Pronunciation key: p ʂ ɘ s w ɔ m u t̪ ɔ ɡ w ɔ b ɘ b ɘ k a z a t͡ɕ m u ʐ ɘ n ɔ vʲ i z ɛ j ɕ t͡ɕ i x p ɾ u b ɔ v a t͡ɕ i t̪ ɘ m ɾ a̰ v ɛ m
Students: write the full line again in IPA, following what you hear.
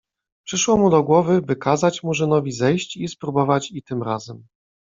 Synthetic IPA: p ʂ ɘ ʂ w ɔ m u d̪ ɔ ɡ w ɔ v ɘ b ɘ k a z a t͡ɕ m u ʐ ɘ n ɔ vʲ i z ɛ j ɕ t͡ɕ i s p ɾ u b ɔ v a t͡ɕ i t̪ ɘ m ɾ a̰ z ɛ m